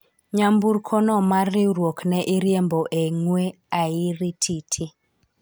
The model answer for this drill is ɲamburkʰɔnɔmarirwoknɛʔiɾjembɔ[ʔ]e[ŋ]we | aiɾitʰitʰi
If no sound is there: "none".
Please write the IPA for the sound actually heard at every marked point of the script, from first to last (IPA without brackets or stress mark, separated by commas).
ʔ, ŋ